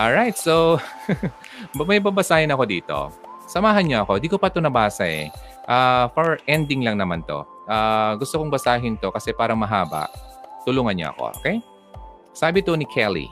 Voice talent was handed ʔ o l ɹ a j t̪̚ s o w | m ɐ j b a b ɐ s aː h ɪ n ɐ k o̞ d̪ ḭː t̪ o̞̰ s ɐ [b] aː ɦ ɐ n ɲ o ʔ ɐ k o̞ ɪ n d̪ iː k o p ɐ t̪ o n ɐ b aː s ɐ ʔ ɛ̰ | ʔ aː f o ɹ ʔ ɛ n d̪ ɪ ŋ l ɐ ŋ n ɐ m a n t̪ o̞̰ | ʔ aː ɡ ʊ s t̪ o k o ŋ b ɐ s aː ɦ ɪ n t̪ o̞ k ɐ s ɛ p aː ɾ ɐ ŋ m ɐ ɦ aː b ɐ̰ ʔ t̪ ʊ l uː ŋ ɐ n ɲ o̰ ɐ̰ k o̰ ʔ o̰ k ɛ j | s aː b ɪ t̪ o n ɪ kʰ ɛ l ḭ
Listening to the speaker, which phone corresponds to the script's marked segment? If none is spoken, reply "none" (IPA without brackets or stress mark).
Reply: m